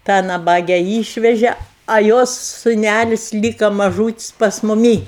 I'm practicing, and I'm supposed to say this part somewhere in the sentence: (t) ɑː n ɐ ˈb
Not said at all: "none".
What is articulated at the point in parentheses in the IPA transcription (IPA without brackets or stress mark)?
t